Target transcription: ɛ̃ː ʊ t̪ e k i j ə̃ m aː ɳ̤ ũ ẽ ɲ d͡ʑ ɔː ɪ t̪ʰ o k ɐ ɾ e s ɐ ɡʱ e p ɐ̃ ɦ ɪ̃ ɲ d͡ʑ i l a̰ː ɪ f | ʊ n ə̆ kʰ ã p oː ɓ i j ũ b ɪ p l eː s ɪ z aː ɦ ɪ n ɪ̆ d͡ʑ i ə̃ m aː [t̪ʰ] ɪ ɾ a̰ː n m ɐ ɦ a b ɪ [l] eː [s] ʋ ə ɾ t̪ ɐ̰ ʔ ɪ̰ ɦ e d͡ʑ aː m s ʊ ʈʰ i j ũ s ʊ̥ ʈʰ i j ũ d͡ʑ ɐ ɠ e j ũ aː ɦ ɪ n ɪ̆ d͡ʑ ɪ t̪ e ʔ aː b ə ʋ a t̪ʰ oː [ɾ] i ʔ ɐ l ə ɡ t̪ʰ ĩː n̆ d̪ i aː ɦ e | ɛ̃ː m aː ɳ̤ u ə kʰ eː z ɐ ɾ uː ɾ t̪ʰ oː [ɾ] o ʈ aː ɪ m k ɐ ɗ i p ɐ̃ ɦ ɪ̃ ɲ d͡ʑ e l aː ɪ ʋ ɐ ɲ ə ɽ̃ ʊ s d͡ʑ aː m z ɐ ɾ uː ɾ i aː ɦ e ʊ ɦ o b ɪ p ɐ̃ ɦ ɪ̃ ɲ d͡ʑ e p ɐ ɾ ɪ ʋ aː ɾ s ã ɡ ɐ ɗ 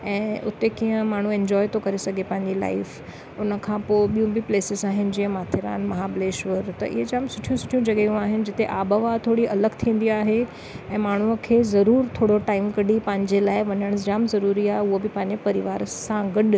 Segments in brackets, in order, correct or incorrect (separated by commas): correct, correct, incorrect, incorrect, incorrect